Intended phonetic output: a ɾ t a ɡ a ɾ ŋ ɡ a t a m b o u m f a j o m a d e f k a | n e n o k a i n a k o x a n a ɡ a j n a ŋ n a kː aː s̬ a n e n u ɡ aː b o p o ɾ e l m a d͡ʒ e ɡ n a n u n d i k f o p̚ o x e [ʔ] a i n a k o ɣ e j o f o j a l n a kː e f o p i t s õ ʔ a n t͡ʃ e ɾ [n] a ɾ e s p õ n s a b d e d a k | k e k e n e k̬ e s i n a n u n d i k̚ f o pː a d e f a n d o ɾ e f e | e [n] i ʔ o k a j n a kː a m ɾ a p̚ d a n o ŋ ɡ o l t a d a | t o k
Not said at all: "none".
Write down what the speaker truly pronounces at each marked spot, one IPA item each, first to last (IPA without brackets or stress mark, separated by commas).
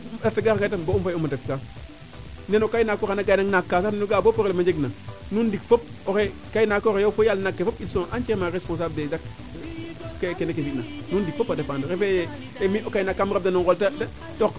k, m, m